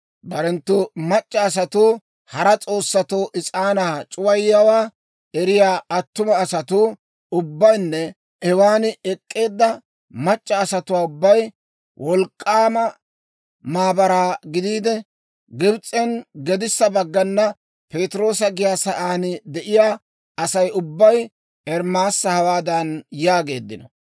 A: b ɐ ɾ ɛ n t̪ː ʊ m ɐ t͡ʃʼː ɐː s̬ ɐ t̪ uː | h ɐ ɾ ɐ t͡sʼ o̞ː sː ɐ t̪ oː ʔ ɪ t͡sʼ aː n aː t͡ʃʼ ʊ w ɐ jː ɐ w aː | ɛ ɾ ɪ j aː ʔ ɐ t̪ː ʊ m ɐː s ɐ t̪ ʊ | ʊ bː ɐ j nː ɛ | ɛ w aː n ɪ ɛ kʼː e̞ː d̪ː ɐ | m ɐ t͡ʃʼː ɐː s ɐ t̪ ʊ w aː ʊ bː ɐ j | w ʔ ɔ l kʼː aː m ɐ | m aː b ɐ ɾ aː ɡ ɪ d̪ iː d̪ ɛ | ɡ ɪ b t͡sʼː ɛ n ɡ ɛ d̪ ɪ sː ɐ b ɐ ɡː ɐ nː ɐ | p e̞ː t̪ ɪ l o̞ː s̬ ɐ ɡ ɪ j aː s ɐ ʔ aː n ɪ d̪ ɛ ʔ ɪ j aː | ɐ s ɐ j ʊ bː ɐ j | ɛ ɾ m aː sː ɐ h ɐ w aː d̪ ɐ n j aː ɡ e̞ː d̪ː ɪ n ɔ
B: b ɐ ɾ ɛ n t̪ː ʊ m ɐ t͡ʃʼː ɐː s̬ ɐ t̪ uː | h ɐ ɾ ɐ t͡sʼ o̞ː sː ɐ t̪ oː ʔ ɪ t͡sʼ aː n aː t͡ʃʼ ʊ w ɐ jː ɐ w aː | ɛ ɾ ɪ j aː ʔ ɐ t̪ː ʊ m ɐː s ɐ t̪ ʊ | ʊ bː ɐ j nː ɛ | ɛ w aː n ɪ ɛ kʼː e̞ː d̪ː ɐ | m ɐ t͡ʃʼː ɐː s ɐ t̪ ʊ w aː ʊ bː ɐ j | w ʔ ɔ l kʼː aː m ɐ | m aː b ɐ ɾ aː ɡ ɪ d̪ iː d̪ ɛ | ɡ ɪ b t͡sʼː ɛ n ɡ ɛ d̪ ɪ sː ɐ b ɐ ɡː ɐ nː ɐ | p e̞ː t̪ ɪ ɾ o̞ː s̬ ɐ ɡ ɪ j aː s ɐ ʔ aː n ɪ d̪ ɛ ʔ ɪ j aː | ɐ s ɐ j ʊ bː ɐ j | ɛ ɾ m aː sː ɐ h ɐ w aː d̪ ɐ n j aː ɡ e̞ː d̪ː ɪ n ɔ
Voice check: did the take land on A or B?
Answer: B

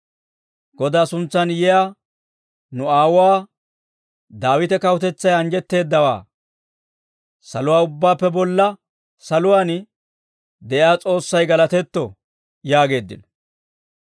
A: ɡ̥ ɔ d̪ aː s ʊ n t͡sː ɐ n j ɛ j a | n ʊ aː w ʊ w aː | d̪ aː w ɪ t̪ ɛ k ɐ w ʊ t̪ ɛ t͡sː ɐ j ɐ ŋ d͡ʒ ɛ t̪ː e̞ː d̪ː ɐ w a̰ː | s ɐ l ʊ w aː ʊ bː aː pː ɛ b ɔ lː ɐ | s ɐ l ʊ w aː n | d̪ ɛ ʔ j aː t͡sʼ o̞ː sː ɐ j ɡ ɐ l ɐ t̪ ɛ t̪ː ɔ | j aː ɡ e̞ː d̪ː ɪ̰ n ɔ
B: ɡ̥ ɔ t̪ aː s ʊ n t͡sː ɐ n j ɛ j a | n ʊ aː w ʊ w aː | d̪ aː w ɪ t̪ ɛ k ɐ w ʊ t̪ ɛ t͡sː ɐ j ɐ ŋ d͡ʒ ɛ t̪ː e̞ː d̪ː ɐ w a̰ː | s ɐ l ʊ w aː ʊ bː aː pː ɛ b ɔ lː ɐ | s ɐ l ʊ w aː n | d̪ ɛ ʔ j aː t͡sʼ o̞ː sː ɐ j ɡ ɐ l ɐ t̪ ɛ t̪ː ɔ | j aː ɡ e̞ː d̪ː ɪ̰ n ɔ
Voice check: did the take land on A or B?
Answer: A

